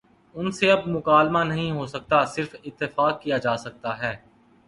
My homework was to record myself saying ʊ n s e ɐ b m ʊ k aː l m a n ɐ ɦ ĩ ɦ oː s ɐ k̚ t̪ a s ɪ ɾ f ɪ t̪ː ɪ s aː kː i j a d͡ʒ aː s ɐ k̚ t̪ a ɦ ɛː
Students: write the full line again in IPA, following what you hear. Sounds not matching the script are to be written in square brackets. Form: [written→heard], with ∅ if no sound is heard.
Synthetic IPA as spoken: ʊ n s e ɐ b m ʊ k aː l m a n ɐ ɦ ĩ ɦ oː s ɐ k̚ t̪ a s ɪ ɾ f ɪ t̪ː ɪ [s→f] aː kː i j a d͡ʒ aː s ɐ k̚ t̪ a ɦ ɛː